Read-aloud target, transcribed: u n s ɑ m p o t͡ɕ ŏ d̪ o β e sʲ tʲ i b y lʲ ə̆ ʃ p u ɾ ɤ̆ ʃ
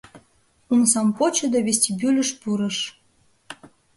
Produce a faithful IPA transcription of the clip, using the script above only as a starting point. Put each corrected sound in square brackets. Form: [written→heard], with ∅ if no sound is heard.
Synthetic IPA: u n s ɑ m p o t͡ɕ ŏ d̪ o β e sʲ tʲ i b y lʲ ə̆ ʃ p u ɾ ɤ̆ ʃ